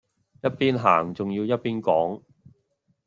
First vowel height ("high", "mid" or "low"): low